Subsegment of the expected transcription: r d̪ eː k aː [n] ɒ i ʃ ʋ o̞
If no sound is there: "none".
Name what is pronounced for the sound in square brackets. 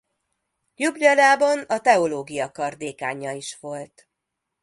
ɲ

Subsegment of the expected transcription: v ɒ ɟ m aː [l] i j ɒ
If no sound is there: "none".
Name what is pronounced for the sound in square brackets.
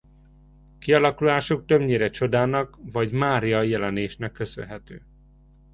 ɾ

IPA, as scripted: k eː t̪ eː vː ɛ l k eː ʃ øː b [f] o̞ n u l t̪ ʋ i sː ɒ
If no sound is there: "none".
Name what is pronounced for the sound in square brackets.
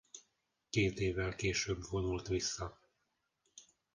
v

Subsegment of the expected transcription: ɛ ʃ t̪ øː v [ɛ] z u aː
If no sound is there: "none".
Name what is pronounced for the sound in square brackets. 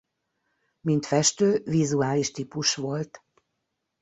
i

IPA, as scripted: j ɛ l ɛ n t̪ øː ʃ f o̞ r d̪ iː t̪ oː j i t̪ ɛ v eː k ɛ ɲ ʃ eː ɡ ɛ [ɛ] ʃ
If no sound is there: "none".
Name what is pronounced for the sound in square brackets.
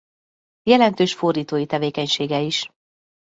i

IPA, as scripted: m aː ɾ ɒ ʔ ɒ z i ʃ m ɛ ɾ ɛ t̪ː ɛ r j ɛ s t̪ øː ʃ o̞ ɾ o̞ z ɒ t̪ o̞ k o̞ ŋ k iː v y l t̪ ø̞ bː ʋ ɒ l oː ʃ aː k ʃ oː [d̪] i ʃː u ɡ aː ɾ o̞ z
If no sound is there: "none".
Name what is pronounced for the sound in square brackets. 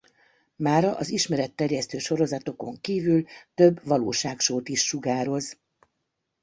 t̪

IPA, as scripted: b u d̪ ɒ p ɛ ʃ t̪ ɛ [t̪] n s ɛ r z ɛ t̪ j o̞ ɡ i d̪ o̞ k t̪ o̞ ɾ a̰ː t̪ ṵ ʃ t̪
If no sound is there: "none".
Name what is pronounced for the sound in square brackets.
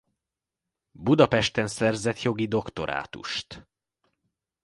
none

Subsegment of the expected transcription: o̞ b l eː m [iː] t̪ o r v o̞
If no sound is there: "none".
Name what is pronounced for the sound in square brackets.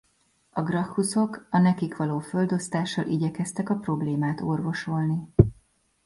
aː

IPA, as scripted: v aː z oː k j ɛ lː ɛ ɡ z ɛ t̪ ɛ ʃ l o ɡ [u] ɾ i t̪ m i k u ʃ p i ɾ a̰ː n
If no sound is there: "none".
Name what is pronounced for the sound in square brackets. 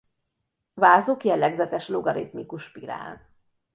ɒ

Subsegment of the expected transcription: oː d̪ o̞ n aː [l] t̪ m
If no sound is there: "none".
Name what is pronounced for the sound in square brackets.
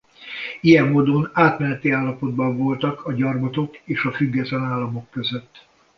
none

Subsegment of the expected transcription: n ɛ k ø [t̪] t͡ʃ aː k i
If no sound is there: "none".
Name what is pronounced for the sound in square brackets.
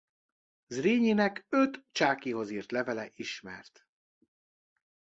t̪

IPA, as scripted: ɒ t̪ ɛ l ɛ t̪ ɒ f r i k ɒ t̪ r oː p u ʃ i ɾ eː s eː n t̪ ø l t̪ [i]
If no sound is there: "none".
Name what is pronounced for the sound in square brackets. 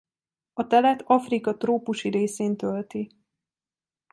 i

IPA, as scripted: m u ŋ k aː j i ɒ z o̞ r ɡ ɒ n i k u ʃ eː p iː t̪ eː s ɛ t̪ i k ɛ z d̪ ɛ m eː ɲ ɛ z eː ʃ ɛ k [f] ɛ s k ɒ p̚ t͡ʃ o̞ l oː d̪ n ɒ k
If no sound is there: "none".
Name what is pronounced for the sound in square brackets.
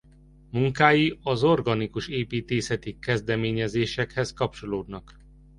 h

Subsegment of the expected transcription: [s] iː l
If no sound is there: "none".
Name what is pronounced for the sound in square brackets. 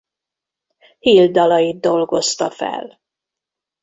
h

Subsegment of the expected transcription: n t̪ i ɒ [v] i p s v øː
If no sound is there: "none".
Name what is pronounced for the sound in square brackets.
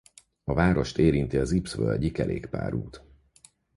z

